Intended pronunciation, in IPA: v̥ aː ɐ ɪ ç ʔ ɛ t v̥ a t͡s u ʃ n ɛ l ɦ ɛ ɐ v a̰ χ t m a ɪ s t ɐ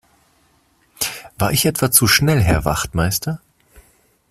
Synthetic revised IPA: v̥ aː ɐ ɪ ç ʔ ɛ t v̥ a t͡s u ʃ n ɛ l ɦ ɛ ɐ v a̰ χ t m a ɪ s t ɐ